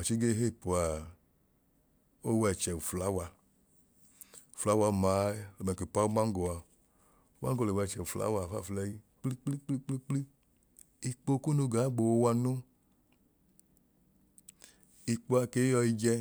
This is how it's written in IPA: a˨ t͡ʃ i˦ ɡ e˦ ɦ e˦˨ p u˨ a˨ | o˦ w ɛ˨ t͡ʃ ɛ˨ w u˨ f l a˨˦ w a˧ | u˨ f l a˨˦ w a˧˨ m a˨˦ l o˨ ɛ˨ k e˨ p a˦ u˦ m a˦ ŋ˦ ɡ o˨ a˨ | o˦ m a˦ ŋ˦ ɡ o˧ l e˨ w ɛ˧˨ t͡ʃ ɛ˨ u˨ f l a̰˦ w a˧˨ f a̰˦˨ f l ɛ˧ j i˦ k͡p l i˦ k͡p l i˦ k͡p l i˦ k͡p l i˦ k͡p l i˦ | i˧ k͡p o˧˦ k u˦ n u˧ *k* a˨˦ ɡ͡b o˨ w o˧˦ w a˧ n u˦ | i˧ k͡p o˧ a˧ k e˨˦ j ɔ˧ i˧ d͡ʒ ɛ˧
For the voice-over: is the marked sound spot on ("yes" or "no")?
no